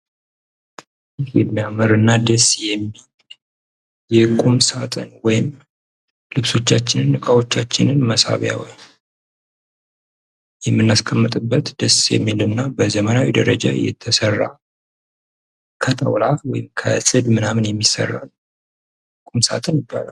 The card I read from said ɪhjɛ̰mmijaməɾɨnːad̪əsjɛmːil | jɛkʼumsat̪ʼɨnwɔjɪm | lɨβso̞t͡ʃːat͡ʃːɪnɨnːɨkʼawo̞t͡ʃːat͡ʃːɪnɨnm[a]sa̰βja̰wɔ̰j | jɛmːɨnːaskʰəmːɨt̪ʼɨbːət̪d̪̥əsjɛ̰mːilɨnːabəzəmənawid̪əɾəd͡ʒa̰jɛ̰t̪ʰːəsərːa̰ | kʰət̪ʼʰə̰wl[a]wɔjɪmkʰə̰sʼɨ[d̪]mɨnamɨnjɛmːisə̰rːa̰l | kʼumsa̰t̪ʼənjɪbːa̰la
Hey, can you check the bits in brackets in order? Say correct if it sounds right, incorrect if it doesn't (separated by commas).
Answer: incorrect, correct, correct